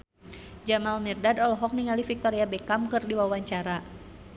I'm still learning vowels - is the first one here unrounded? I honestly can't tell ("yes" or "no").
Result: yes